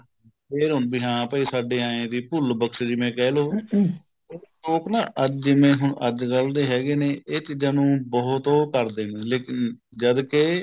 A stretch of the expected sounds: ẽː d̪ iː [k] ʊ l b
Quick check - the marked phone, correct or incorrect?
incorrect: p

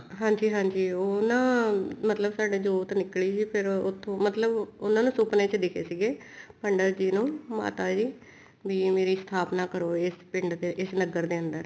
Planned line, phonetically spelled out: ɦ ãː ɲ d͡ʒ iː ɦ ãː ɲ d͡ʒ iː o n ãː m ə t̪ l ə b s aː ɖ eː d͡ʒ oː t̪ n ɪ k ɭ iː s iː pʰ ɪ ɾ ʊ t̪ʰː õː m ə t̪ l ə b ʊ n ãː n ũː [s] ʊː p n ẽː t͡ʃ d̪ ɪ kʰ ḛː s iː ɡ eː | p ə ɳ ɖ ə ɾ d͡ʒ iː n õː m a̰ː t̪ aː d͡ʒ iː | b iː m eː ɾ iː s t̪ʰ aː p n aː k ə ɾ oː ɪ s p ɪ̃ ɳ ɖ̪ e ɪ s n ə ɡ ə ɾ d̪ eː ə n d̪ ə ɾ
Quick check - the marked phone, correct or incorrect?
correct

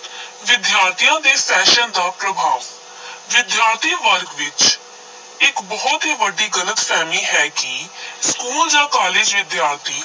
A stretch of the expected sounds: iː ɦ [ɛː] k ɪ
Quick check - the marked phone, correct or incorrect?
correct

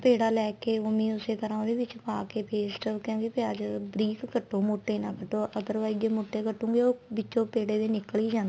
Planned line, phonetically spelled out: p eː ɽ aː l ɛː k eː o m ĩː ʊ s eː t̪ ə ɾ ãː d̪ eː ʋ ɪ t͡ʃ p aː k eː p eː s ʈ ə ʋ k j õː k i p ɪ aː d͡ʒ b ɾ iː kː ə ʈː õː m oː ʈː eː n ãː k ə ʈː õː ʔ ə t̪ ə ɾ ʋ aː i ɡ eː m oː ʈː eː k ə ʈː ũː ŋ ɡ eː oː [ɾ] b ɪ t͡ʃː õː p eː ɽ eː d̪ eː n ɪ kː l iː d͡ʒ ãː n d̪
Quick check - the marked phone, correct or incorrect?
incorrect: none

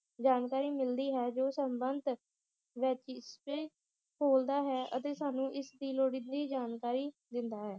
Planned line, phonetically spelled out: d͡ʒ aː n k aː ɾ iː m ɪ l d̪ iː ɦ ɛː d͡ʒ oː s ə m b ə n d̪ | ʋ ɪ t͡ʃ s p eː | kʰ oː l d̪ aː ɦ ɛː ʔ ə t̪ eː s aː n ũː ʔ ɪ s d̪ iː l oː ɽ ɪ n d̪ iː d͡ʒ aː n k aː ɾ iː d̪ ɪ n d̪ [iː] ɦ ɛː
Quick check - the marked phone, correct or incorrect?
incorrect: aː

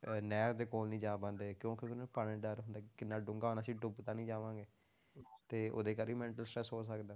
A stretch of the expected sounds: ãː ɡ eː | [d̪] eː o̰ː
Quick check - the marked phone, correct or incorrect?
incorrect: t̪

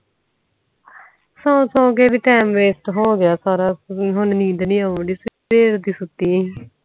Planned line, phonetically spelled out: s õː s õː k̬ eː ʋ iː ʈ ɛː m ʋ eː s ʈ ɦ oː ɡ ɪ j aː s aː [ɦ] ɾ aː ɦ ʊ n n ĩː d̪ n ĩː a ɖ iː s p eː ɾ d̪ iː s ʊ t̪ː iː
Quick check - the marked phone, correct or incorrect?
incorrect: none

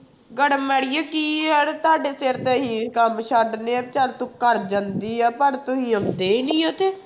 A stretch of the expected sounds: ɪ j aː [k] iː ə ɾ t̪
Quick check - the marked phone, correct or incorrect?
correct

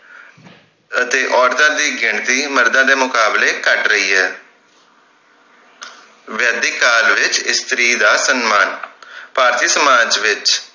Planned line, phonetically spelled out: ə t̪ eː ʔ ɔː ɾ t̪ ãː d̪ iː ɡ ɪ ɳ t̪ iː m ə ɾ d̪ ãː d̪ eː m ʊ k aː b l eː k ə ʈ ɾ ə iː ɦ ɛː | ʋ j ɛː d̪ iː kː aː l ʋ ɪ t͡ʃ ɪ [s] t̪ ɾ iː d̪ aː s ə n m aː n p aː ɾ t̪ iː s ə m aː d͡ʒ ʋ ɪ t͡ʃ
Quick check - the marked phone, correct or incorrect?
correct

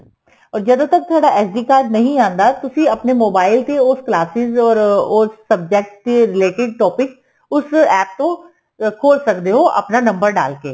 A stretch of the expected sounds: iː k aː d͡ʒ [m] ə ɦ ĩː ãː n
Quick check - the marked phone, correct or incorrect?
incorrect: n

